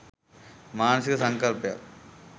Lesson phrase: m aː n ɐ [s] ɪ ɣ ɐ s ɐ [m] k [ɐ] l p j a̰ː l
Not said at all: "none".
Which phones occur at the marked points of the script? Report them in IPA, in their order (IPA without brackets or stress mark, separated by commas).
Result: s, ŋ, ɐ